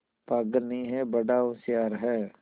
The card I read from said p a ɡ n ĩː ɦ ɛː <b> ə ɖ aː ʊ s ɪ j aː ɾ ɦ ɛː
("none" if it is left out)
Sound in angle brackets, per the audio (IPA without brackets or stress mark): b